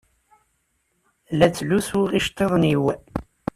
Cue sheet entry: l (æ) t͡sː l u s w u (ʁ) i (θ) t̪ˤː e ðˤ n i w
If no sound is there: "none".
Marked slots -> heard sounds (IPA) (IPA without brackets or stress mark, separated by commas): æ, ʁ, ʃ